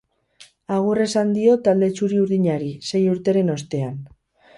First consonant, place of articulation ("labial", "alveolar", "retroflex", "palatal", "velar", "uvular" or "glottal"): velar